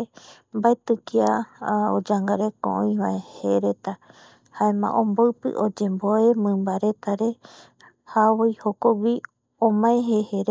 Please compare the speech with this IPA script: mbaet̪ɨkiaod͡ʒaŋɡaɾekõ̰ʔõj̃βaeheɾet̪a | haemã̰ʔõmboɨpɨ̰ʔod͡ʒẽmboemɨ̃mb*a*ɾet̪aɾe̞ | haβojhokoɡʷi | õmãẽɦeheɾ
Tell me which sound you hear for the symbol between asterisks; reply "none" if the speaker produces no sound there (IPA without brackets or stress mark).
a